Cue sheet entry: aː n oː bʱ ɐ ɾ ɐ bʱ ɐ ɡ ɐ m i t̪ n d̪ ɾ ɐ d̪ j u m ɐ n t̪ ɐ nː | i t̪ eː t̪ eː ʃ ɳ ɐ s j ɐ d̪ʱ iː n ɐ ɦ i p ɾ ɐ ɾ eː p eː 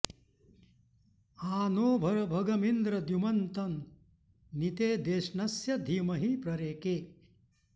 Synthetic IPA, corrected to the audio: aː n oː bʱ ɐ ɾ ɐ bʱ ɐ ɡ ɐ m i n d̪ ɾ ɐ d̪ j u m ɐ n t̪ ɐ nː | i t̪ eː d̪ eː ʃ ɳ ɐ s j ɐ d̪ʱ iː m ɐ ɦ i p ɾ ɐ ɾ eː k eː